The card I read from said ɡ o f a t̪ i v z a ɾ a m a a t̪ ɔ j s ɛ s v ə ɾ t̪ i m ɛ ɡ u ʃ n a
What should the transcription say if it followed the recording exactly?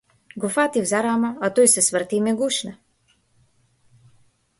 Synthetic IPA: ɡ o f a t̪ i v z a ɾ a m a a t̪ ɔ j s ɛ s v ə ɾ t̪ i m ɛ ɡ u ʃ n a